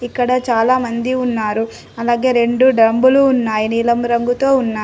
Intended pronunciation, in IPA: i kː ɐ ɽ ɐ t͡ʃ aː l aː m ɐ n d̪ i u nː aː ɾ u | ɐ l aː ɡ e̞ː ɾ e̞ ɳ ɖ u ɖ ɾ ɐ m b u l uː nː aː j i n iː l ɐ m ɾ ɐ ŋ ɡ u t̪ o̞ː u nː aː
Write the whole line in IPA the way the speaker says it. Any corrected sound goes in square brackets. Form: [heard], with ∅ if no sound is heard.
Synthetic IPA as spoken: i kː ɐ ɽ ɐ t͡ʃ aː l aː m ɐ n d̪ i u nː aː ɾ u | ɐ l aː ɡ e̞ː ɾ e̞ ɳ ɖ u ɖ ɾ ɐ m b u l uː nː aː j i n iː l ɐ m ɾ ɐ ŋ ɡ u t̪ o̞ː u nː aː